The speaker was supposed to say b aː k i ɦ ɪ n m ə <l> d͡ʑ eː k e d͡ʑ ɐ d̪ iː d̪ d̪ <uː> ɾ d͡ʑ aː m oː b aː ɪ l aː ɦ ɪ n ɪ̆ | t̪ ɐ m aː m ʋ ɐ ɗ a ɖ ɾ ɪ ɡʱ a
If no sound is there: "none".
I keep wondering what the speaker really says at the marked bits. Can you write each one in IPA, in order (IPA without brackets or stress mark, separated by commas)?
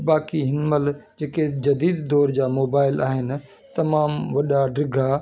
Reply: l, ɔː